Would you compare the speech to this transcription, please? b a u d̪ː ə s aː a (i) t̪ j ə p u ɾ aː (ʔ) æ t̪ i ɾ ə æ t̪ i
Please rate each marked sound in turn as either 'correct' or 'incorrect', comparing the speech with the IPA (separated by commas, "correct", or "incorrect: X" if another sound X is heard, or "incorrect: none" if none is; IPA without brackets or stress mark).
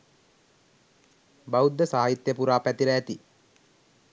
correct, incorrect: p